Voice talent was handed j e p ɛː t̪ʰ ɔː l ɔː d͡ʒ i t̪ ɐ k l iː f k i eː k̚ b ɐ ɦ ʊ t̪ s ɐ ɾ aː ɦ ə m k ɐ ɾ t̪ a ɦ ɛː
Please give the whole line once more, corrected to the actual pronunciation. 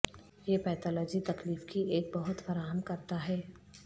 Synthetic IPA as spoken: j e p ɛː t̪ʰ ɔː l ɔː d͡ʒ i t̪ ɐ k l iː f k i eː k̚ b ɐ ɦ ʊ t̪ f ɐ ɾ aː ɦ ə m k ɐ ɾ t̪ a ɦ ɛː